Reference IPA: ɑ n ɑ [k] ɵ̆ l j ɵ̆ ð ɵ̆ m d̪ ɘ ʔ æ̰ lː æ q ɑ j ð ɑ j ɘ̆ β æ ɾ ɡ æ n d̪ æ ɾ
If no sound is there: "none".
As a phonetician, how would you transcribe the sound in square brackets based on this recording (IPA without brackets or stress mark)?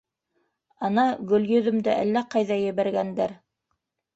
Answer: ɡ